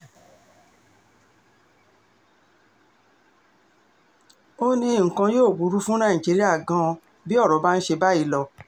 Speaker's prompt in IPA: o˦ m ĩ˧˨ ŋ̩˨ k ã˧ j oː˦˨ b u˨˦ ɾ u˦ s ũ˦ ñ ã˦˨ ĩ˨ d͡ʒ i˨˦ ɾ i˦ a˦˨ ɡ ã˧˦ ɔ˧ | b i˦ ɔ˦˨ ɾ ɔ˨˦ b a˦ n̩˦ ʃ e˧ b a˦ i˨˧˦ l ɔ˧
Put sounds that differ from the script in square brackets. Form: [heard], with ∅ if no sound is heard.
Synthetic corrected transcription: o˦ [n] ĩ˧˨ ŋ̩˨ k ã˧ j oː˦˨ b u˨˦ ɾ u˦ [f] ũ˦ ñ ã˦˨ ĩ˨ d͡ʒ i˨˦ ɾ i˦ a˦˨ ɡ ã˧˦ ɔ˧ | b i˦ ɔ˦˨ ɾ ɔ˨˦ b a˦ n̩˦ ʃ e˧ b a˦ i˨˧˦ l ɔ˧